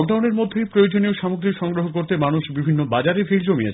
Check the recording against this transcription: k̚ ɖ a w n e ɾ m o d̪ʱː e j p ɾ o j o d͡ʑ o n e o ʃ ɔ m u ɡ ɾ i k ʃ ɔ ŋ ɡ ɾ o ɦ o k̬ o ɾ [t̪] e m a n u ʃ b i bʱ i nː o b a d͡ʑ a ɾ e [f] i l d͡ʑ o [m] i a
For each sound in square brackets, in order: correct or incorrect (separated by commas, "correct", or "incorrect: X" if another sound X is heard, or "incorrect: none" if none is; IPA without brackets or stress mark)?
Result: correct, correct, correct